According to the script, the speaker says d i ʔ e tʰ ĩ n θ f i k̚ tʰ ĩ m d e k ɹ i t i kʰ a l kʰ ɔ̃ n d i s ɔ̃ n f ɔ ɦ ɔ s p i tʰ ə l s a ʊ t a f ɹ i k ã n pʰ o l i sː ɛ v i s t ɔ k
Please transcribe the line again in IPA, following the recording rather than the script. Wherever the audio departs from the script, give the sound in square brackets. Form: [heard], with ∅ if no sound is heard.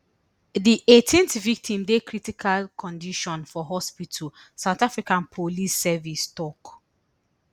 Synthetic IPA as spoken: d i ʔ e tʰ ĩ n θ [v] i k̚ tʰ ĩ m d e k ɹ i t i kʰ a l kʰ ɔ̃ n d i [ʃ] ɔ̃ n f ɔ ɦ ɔ s p i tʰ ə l s a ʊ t a f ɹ i k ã n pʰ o l i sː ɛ v i s t ɔ k